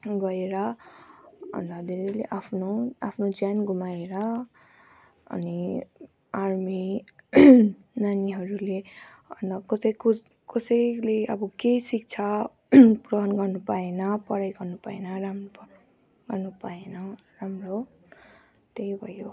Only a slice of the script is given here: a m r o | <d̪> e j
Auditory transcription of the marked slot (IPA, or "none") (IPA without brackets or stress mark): t̪